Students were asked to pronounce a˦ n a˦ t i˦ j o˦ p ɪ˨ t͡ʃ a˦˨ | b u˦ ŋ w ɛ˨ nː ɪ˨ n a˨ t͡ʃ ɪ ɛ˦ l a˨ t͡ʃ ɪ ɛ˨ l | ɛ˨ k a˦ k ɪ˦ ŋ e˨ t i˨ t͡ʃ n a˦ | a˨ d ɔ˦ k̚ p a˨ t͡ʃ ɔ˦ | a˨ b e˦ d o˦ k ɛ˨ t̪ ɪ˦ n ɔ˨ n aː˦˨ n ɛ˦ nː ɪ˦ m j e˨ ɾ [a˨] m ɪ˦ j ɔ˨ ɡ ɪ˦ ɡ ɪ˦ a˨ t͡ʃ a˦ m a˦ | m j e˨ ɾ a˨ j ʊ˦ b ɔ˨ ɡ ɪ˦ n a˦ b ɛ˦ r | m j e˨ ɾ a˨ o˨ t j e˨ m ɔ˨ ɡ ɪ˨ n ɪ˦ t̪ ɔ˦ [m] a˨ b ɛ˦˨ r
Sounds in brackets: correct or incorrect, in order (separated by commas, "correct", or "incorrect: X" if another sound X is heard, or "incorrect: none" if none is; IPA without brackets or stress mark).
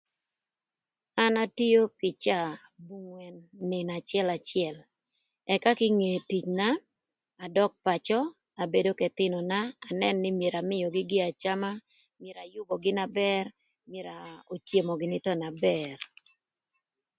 correct, incorrect: n